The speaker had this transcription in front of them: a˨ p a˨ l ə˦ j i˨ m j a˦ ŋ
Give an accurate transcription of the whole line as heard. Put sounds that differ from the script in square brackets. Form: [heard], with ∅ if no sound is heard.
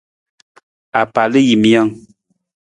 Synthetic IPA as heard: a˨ p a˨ l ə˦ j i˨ m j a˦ ŋ